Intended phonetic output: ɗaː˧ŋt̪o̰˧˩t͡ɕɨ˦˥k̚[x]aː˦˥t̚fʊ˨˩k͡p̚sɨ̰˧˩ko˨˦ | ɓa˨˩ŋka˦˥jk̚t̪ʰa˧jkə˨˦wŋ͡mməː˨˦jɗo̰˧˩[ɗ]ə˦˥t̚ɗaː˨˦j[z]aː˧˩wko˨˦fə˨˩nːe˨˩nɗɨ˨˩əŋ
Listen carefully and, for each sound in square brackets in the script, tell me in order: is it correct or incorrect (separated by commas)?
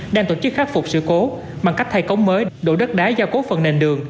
correct, correct, correct